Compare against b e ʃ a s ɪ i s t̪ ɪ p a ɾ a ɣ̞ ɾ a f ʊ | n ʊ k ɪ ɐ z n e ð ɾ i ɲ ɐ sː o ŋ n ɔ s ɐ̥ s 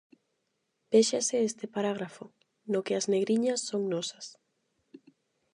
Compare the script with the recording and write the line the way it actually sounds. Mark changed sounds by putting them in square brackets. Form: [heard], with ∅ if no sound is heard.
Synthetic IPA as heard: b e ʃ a s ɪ [e] s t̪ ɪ p a ɾ a ɣ̞ ɾ a f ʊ | n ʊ k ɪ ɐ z n e [ɣ] ɾ i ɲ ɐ sː o ŋ n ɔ s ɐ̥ s